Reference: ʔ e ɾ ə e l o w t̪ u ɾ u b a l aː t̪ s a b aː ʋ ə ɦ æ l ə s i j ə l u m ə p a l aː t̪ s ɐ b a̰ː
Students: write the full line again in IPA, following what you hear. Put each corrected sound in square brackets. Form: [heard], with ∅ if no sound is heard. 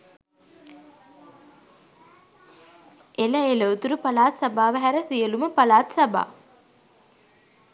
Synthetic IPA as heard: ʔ e [l] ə e l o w t̪ u ɾ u [p] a l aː t̪ s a b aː ʋ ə ɦ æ [ɾ] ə s i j ə l u m ə p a l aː t̪ s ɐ b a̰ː